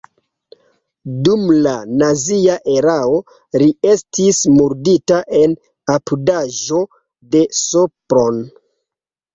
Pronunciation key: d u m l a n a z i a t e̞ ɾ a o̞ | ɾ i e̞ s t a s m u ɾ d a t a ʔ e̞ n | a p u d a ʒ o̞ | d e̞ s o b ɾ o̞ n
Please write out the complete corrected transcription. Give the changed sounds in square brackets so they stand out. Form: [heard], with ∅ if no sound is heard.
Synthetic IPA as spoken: d u m l a n a z i a [ʔ] e̞ ɾ a o̞ | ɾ i e̞ s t [i] s m u ɾ d [i] t a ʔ e̞ n | a p u d a ʒ o̞ | d e̞ s o [p] ɾ o̞ n